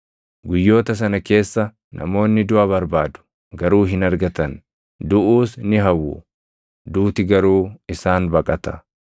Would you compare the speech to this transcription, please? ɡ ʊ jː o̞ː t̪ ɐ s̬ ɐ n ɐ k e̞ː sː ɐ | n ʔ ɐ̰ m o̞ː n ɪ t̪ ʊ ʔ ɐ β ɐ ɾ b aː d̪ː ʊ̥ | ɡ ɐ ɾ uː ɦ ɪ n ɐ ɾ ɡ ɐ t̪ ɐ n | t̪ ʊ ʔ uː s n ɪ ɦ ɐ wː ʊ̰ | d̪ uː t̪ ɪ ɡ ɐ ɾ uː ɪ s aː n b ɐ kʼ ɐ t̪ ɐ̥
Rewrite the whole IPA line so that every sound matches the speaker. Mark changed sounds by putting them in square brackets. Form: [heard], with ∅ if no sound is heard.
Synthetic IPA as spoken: ɡ ʊ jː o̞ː t̪ ɐ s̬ ɐ n ɐ k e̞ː sː ɐ | n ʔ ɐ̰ m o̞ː [nː] ɪ [d̪] ʊ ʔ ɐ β ɐ ɾ b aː [d̪] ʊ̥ | ɡ ɐ ɾ uː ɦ ɪ n ɐ ɾ ɡ ɐ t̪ ɐ n | [d̪] ʊ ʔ uː s n ɪ ɦ ɐ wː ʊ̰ | d̪ uː t̪ ɪ ɡ ɐ ɾ uː ɪ s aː n b ɐ kʼ ɐ t̪ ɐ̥